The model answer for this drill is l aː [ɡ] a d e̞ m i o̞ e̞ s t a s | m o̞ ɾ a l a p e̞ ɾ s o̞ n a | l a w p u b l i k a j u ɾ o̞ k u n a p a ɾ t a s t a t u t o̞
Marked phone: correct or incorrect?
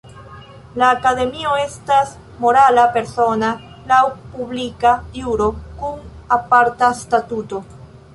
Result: incorrect